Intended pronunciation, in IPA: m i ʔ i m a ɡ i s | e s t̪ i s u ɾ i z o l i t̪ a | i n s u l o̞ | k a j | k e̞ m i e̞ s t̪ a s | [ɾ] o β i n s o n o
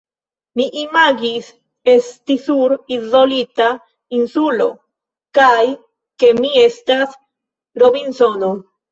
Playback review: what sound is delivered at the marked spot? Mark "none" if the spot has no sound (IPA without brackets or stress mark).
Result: ɾ